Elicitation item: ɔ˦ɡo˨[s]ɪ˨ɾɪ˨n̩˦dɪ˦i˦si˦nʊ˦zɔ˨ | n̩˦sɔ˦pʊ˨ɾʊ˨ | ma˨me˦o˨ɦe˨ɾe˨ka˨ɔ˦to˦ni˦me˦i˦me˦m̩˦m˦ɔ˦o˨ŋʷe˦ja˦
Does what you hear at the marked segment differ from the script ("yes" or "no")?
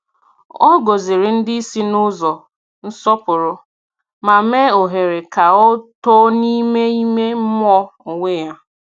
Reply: yes